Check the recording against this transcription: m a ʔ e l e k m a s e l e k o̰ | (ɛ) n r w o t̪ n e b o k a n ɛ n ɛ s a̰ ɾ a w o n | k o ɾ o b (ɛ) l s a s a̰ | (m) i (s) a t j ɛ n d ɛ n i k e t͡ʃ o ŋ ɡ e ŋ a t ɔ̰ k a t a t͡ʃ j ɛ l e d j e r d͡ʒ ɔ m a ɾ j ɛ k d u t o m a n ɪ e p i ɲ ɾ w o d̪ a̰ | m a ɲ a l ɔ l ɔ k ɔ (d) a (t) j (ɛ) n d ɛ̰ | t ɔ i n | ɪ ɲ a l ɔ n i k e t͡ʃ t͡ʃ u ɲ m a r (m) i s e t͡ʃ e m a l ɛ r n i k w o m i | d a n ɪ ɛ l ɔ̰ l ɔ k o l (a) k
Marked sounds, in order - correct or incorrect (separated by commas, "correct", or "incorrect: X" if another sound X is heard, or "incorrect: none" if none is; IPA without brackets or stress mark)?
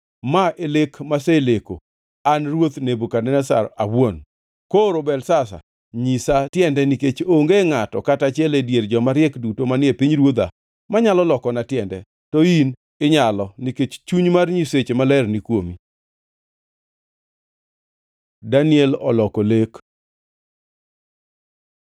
incorrect: a, correct, incorrect: ɲ, correct, incorrect: n, correct, correct, incorrect: ɲ, incorrect: e